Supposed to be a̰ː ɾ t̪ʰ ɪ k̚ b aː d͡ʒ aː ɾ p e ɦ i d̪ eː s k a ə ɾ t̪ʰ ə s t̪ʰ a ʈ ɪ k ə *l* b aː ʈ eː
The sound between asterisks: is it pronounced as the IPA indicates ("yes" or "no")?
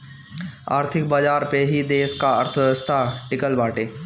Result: yes